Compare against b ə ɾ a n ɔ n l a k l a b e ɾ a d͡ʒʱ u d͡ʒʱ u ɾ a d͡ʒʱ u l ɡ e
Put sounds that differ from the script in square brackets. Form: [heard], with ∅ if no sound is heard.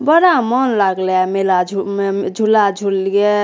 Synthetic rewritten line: b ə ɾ a [m] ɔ n l a [ɡ] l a [m] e [l] a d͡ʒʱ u d͡ʒʱ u [l] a d͡ʒʱ u l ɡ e